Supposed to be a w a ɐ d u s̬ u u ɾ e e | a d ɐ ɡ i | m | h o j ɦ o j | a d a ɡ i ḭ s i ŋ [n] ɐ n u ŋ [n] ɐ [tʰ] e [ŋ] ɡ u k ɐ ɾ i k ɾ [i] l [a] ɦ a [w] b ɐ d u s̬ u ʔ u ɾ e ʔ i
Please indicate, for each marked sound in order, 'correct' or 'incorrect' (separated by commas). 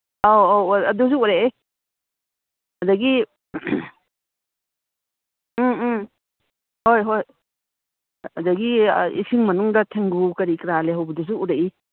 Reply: incorrect, incorrect, correct, correct, incorrect, incorrect, correct